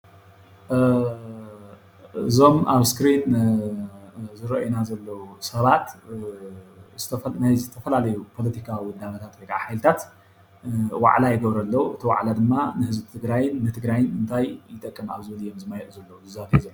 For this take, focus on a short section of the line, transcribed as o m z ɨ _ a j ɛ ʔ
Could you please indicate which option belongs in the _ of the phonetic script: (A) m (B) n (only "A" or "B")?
A